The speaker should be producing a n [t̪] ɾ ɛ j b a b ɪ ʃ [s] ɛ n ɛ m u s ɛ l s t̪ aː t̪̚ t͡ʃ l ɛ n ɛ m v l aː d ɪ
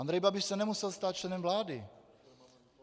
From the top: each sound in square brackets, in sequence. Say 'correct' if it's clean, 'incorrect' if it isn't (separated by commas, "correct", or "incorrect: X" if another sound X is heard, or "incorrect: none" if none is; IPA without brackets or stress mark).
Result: incorrect: d̪, correct